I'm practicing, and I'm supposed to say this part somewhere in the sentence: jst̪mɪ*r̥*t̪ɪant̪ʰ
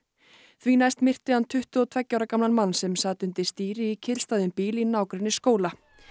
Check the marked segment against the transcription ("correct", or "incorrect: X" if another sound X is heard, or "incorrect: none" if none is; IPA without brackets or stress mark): correct